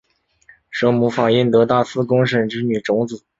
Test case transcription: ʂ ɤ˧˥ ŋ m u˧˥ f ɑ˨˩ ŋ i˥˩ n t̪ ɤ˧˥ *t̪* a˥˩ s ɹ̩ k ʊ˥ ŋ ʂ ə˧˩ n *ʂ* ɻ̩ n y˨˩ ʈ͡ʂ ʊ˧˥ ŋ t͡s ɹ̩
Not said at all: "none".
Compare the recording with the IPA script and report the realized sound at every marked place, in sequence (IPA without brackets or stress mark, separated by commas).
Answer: t̪, ʈ͡ʂ